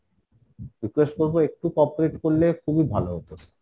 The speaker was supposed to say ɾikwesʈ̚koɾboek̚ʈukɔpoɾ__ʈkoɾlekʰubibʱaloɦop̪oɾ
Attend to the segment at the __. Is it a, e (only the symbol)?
e